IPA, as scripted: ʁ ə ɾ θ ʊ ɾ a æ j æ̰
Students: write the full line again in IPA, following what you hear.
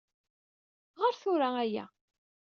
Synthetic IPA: ʁ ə ɾ θ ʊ ɾ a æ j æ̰

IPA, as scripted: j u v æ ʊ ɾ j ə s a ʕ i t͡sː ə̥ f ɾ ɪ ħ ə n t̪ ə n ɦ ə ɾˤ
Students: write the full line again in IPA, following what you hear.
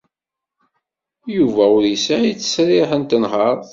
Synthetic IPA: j u v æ ʊ ɾ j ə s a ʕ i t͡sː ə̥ s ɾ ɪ ħ ə n t̪ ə n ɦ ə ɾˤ

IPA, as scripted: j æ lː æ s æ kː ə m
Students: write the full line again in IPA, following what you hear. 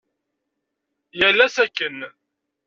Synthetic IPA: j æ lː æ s æ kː ə n

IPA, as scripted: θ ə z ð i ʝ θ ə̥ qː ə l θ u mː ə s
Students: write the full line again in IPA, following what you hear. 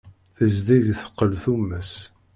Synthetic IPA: θ ə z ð i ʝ θ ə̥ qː ə l θ u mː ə s

